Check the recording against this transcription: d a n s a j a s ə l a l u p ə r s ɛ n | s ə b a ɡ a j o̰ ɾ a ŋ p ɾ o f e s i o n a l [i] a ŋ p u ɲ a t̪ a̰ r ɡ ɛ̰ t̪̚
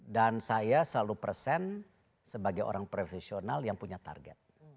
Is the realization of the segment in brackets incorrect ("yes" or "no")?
yes